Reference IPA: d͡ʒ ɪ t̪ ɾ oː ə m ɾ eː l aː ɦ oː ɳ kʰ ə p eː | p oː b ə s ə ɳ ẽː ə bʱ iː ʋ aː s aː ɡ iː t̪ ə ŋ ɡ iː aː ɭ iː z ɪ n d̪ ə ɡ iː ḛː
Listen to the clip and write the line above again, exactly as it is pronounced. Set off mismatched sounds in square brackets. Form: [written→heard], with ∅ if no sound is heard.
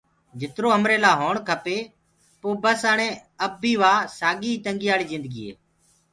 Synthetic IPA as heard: d͡ʒ ɪ t̪ ɾ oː ə m ɾ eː l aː ɦ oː ɳ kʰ ə p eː | p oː b ə s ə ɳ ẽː ə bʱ iː ʋ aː s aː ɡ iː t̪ ə ŋ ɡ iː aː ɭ iː z ɪ n d̪ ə ɡ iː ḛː